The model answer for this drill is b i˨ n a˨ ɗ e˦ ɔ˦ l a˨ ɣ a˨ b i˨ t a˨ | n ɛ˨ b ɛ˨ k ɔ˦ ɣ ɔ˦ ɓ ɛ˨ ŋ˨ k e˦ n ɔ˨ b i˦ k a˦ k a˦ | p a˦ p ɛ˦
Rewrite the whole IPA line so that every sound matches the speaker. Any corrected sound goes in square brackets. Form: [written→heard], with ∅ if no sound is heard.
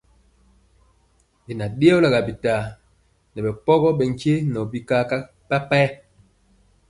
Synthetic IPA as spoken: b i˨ n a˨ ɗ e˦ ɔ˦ l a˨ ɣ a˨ b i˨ t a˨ | n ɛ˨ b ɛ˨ [k→p] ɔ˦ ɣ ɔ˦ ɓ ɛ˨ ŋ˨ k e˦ n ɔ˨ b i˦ k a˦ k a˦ | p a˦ p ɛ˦